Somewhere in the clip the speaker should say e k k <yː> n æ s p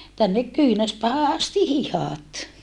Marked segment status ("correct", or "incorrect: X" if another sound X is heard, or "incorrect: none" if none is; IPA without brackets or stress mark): correct